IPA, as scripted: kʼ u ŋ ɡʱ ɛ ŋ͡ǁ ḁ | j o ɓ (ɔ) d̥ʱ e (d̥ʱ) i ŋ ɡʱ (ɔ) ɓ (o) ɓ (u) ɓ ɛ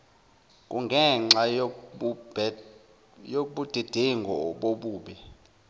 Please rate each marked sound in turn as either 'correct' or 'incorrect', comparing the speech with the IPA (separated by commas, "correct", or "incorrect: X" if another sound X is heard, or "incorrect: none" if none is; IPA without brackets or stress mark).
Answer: incorrect: u, correct, correct, correct, incorrect: uː